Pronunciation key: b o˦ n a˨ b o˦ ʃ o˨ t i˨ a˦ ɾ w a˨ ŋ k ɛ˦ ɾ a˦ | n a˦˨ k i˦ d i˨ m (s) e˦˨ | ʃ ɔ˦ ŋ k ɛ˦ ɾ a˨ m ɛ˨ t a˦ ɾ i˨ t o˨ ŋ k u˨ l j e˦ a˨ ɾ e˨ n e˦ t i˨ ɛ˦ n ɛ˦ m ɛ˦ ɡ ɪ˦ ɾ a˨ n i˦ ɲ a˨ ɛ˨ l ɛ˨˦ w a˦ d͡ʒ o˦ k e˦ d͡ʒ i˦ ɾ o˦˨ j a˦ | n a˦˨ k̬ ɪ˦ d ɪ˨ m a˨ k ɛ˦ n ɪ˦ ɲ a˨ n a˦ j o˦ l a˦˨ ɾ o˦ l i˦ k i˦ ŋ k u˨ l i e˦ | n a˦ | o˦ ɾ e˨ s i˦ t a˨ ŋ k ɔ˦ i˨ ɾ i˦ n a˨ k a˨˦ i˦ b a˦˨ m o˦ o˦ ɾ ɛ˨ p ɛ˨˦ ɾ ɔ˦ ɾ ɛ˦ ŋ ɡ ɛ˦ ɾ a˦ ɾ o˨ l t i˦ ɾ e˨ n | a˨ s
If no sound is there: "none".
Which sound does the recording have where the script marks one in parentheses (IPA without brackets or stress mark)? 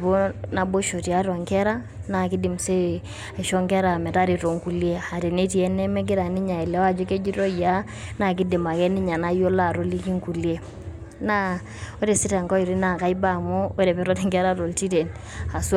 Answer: s